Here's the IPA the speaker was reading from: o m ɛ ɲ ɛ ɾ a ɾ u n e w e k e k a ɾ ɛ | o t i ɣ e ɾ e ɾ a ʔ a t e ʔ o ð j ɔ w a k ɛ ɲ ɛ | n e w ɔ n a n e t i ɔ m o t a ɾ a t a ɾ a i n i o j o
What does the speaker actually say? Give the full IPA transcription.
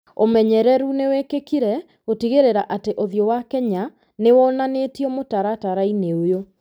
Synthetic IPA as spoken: o m ɛ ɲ ɛ ɾ ɛ ɾ u n e w e k e k i ɾ ɛ | o t i ɣ e ɾ e ɾ a ʔ a t e ʔ o ð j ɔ w a k ɛ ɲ a | n e w ɔ n a n e t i ɔ m o t a ɾ a t a ɾ a i n e o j o